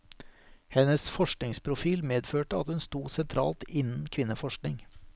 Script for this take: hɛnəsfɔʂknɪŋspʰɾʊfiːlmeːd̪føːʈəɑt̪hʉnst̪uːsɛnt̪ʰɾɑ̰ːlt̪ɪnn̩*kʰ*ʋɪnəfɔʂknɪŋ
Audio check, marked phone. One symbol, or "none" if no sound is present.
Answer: kʰ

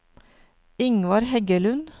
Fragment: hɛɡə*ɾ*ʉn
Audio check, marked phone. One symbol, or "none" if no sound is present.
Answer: l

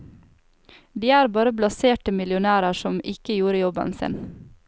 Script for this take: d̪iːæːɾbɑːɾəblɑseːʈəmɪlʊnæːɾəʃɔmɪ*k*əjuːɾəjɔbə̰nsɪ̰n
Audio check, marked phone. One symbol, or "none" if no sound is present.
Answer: k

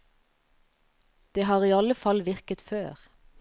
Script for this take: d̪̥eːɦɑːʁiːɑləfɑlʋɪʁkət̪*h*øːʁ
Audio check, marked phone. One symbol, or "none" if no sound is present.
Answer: f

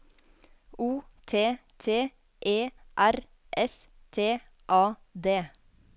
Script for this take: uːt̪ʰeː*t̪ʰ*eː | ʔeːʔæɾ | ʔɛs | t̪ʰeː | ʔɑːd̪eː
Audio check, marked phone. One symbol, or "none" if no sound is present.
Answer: t̪ʰ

